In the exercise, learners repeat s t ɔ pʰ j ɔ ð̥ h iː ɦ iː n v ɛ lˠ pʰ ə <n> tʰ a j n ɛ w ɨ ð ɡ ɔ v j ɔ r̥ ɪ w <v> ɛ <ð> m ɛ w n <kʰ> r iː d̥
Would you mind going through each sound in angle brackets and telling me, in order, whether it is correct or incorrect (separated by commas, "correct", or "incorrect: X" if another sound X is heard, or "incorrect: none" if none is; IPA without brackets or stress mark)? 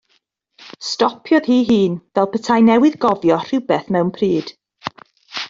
incorrect: none, incorrect: b, incorrect: θ, incorrect: pʰ